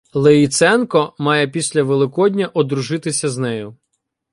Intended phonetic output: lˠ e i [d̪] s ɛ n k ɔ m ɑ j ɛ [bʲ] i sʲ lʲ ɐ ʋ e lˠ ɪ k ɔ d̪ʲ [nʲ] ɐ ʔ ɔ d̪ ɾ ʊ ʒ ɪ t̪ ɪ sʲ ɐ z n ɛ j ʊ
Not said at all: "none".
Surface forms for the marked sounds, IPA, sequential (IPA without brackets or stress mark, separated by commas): t̪, pʲ, nʲ